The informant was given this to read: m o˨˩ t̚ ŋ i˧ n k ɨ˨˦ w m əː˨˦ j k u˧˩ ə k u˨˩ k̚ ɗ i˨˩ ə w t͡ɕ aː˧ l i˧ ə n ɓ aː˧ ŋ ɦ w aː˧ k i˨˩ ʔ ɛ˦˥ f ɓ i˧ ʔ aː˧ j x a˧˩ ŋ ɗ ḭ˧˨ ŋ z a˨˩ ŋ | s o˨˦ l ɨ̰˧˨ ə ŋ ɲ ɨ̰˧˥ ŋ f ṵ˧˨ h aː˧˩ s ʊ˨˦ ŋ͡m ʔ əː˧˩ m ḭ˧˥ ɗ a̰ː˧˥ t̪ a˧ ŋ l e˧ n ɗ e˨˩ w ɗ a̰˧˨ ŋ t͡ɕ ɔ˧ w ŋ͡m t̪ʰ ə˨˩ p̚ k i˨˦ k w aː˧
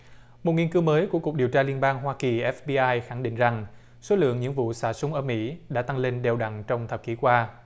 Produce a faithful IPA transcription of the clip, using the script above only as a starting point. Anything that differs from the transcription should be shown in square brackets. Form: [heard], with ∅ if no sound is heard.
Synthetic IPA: m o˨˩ t̚ ŋ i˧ n k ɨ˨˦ w m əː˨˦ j k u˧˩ ə k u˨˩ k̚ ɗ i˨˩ ə w t͡ɕ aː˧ l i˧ ə n ɓ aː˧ ŋ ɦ w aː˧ k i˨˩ ʔ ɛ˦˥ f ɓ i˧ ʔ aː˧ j x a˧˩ ŋ ɗ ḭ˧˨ ŋ z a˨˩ ŋ | s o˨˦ l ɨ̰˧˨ ə ŋ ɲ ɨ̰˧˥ ŋ [v] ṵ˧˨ [s] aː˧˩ s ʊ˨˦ ŋ͡m ʔ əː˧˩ m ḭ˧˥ ɗ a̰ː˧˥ t̪ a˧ ŋ l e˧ n ɗ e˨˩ w ɗ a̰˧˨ ŋ t͡ɕ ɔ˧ w ŋ͡m t̪ʰ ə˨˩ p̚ k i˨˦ k w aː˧